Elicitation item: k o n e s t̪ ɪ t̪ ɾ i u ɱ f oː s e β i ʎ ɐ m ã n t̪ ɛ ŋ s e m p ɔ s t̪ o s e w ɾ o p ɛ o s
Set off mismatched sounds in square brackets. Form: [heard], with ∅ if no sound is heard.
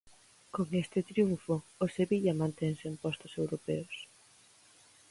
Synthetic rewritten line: k o [ŋ] e s t̪ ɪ t̪ ɾ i u ɱ f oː s e β i ʎ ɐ m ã n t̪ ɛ ŋ s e m p ɔ s t̪ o s e w ɾ o p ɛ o s